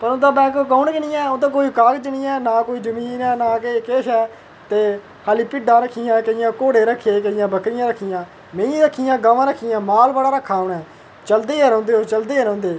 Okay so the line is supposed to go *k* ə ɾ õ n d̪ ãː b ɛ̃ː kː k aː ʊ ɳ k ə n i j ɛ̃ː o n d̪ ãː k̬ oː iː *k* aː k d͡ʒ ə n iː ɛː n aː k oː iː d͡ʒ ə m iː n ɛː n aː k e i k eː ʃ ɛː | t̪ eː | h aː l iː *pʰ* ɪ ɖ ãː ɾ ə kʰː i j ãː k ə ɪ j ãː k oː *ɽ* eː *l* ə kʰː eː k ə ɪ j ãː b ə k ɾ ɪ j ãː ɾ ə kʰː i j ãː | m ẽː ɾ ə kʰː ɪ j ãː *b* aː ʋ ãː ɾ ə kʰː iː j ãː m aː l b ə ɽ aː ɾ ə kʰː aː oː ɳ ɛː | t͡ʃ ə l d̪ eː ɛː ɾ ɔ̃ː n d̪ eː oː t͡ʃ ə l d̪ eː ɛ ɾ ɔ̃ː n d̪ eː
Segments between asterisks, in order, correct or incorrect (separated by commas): incorrect, correct, incorrect, correct, incorrect, incorrect